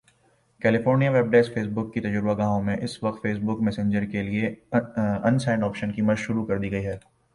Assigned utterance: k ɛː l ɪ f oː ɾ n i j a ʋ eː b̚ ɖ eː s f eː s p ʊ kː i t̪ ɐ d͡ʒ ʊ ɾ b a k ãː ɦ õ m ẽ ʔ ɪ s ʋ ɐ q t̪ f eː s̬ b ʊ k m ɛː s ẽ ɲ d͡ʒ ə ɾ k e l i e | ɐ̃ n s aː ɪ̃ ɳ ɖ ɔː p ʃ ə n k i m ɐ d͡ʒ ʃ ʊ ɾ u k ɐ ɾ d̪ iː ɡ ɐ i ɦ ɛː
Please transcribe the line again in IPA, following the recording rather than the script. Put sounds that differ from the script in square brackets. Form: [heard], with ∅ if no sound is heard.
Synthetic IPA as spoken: k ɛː l ɪ f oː ɾ n i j a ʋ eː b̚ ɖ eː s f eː s [b] ʊ kː i t̪ ɐ d͡ʒ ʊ ɾ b a [ɡ] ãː ɦ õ m ẽ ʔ ɪ s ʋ ɐ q t̪ f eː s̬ b ʊ k m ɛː s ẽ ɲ d͡ʒ ə ɾ k e l i e | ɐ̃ n s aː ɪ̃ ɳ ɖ ɔː p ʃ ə n k i m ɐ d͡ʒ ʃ ʊ ɾ u k ɐ ɾ d̪ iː ɡ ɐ i ɦ ɛː